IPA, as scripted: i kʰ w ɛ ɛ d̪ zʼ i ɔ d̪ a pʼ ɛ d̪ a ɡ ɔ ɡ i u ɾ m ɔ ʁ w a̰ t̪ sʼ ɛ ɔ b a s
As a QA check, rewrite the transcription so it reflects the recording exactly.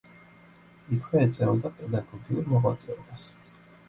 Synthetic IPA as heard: i kʰ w ɛ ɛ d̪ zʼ ɛ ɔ d̪ a pʼ ɛ d̪ a ɡ ɔ ɡ i u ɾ m ɔ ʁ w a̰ t̪ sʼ ɛ ɔ b a s

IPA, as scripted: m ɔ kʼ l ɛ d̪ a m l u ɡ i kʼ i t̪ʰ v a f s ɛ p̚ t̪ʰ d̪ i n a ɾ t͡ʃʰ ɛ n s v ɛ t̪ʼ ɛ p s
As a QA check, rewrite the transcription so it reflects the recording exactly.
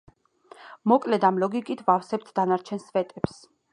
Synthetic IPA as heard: m ɔ kʼ l ɛ d̪ a m l ɔ ɡ i kʼ i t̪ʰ v a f s ɛ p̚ t̪ʰ d̪ a n a ɾ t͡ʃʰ ɛ n s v ɛ t̪ʼ ɛ p s

